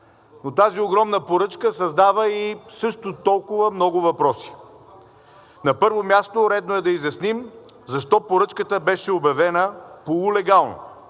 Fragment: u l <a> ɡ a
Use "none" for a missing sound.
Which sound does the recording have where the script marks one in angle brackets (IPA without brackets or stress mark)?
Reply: ɛ